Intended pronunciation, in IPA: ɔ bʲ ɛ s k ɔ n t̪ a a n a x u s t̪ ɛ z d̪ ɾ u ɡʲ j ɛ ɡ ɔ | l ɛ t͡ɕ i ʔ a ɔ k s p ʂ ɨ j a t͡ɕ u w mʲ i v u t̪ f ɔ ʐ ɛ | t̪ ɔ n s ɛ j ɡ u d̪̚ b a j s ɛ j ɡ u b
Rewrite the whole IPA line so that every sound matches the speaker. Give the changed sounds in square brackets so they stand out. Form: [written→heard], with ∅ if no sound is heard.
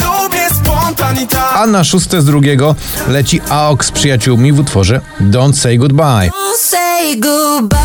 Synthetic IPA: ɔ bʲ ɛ s [k→p] ɔ n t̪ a a n a [x→ʂ] u s t̪ ɛ z d̪ ɾ u ɡʲ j ɛ ɡ ɔ | l ɛ t͡ɕ i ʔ a ɔ k s p ʂ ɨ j a t͡ɕ u w mʲ i v u t̪ f ɔ ʐ ɛ | [t̪→d̪] ɔ n s ɛ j ɡ u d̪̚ b a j s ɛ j ɡ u b